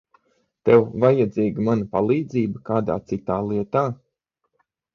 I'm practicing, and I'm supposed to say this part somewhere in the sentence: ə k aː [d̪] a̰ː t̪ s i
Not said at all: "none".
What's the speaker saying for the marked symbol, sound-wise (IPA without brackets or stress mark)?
d̪